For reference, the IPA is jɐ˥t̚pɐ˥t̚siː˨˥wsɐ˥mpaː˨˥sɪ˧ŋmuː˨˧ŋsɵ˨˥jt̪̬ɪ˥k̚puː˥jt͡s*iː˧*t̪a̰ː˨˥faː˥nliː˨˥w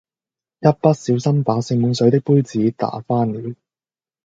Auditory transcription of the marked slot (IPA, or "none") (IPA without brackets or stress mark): iː˨˥